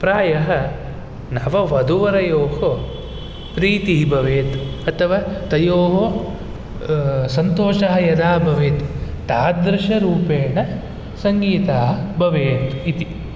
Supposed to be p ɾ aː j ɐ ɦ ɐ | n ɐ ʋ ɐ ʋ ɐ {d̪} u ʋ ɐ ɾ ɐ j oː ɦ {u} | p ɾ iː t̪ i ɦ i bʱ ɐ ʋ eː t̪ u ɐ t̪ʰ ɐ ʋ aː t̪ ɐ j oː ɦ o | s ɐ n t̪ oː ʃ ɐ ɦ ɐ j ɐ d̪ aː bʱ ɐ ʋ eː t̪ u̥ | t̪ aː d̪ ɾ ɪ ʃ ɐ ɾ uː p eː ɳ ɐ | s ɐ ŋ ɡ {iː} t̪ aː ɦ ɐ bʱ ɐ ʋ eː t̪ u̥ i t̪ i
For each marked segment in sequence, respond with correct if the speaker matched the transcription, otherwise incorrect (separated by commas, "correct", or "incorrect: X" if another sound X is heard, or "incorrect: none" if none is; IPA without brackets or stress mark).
correct, incorrect: o, correct